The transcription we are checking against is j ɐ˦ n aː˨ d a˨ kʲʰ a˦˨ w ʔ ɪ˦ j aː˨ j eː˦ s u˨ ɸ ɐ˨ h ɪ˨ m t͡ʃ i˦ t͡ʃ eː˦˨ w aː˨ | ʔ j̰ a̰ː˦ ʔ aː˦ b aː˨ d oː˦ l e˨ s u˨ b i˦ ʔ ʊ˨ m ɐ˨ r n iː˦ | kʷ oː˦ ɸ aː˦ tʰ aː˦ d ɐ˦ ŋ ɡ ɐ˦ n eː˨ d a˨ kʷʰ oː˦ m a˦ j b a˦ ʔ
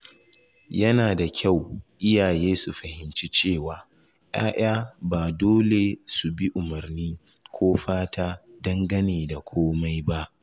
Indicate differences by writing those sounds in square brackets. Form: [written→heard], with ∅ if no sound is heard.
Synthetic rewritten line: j ɐ˦ n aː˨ d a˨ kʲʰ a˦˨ w ʔ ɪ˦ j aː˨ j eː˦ s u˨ ɸ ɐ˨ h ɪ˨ m t͡ʃ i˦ t͡ʃ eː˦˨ w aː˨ | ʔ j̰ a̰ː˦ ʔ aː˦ b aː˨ d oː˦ l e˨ s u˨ b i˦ ʔ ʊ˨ m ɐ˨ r n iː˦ | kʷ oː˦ ɸ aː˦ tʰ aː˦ d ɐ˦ ŋ ɡ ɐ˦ n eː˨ d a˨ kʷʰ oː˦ m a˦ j b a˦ ʔ